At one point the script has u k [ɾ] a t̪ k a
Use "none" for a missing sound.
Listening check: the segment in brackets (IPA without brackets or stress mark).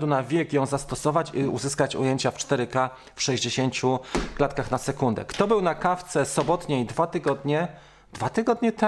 l